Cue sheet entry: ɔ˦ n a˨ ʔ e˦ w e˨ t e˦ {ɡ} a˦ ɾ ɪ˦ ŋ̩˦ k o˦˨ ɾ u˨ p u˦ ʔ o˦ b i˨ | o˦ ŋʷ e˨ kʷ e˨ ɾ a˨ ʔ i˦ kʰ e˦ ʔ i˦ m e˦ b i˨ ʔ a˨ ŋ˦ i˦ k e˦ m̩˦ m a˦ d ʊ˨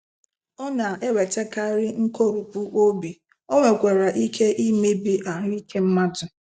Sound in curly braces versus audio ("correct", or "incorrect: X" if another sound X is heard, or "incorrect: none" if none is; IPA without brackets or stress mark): incorrect: k